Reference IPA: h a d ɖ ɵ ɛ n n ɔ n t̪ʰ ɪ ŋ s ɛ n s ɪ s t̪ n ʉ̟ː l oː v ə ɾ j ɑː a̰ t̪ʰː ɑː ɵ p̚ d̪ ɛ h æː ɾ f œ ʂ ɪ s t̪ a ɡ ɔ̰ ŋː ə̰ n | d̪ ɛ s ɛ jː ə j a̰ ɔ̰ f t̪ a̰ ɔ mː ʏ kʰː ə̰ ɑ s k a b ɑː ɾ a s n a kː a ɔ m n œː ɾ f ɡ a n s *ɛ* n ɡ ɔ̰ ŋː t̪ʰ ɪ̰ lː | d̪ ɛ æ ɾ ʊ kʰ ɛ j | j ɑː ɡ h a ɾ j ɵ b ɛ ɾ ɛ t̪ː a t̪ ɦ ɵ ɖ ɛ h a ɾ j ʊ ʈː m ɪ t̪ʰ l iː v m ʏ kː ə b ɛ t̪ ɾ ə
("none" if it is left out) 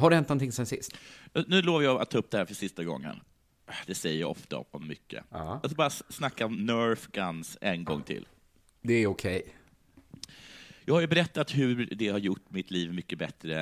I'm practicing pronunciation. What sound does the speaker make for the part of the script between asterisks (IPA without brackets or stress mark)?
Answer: ɛ